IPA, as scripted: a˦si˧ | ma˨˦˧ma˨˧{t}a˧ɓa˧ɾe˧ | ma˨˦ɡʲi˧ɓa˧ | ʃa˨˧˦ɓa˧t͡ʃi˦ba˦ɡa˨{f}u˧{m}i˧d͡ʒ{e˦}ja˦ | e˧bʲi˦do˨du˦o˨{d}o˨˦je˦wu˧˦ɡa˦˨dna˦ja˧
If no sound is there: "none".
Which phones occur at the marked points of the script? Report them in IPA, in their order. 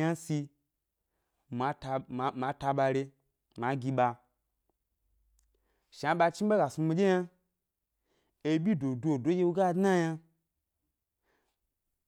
t, s, m, e˦, d

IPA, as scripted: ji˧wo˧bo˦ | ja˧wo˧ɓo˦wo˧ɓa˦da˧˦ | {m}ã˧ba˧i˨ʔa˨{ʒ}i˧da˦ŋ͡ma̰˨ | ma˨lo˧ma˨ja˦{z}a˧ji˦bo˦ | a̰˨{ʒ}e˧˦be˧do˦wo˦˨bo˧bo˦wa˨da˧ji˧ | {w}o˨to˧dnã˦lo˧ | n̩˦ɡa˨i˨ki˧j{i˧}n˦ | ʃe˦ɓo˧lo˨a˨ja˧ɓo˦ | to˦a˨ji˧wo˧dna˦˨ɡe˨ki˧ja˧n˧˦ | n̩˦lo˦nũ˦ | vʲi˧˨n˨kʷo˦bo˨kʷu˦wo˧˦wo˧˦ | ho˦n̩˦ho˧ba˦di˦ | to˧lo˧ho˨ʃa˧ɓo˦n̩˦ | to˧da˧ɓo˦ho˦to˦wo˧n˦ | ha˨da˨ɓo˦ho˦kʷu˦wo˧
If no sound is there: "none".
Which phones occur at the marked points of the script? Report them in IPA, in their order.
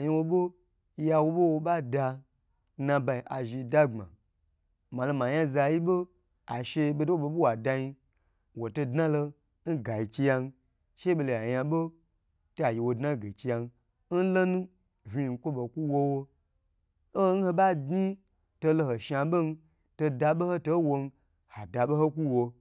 n, ʒ, z, ʃ, w, a˧

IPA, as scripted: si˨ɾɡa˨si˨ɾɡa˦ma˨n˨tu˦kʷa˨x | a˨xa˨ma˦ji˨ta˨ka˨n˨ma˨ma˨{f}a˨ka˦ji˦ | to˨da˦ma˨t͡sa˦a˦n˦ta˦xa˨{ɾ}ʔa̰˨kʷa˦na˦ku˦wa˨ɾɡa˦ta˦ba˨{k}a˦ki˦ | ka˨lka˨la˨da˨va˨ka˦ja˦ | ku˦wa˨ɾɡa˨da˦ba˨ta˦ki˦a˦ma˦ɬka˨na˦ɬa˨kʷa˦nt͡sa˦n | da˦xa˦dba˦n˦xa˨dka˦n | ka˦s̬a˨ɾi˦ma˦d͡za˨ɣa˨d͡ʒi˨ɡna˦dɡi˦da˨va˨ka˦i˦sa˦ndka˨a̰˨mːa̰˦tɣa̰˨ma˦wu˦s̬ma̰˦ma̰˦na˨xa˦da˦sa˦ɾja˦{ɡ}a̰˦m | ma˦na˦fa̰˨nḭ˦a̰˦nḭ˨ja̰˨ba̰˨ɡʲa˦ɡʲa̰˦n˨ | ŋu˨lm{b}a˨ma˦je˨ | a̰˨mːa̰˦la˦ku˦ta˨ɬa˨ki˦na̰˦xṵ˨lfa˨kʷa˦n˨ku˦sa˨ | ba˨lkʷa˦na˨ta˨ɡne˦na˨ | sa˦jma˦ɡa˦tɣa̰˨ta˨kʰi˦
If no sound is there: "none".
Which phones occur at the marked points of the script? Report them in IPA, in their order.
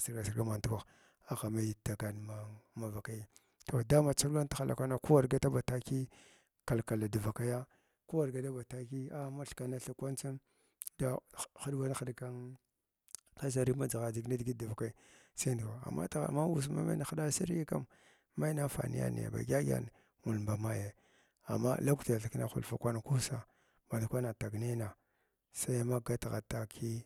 v, l, t, k, b

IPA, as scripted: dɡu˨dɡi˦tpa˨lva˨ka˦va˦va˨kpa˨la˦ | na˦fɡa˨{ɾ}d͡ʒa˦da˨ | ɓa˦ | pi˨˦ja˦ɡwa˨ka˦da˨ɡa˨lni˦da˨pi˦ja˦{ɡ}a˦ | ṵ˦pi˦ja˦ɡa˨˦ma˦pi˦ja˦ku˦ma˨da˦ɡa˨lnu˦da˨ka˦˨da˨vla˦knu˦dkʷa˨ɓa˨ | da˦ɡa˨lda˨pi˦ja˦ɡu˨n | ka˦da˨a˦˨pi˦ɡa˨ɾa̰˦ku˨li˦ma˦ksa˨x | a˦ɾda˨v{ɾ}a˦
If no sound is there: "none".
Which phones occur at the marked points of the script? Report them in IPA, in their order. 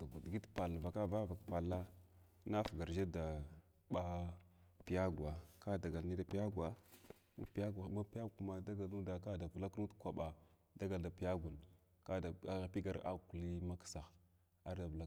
ɾ, ɡ, l

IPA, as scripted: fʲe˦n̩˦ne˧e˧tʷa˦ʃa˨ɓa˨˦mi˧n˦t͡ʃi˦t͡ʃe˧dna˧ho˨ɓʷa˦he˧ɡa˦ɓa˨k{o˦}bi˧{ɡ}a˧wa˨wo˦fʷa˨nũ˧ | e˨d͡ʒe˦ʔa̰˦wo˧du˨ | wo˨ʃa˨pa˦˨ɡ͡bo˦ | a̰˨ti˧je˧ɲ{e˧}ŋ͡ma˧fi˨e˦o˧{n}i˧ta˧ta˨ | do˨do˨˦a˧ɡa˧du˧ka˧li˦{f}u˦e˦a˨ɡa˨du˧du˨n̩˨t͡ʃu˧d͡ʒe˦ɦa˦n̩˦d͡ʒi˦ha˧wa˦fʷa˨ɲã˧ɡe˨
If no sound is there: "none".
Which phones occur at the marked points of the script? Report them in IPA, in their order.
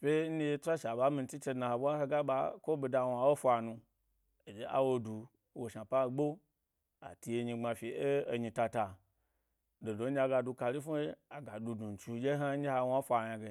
o˦, d, i˧, ɲ, f

